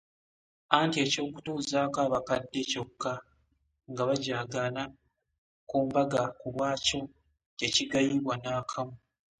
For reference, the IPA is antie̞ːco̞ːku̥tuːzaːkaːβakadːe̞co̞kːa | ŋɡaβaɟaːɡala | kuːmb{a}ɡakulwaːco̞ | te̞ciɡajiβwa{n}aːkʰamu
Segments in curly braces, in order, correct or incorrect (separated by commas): correct, correct